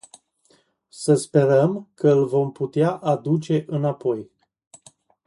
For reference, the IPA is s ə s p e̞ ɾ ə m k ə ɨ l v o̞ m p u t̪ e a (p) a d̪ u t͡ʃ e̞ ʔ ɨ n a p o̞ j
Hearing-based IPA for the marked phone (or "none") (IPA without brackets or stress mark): ʔ